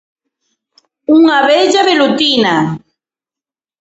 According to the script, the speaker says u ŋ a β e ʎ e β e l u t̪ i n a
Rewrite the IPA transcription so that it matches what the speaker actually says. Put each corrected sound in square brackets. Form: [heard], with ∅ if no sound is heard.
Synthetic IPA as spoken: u ŋ a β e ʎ [a] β e l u t̪ i n a